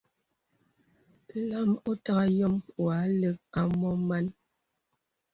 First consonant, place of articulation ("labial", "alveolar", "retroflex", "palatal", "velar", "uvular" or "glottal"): alveolar